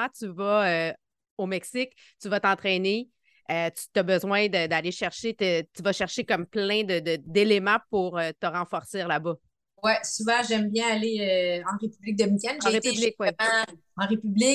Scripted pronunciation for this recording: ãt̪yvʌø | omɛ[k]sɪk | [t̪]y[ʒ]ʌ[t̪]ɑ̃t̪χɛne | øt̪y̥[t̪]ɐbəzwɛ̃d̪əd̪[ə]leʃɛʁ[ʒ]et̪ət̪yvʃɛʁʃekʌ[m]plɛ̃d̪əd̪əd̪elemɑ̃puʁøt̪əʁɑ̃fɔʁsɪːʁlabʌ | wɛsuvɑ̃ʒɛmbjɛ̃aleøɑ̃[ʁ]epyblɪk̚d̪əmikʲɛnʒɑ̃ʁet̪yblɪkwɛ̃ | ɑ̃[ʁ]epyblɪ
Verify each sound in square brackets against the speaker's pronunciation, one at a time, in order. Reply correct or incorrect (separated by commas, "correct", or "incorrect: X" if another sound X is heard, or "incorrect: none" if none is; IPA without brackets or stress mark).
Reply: correct, correct, incorrect: v, correct, correct, incorrect: a, incorrect: ʃ, correct, correct, correct